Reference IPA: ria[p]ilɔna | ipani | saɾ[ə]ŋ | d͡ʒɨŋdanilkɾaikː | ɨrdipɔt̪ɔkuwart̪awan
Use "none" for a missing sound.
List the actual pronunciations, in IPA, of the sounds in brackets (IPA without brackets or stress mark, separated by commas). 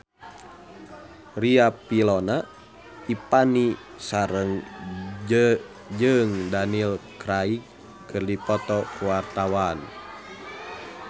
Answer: p, ə